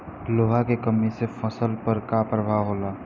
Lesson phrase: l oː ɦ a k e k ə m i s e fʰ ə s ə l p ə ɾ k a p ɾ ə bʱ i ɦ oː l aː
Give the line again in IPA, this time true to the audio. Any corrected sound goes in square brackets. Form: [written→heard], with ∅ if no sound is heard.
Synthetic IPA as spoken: l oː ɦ a k e k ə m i s e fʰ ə s ə l p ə ɾ k a p ɾ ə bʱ [i→a] ɦ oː l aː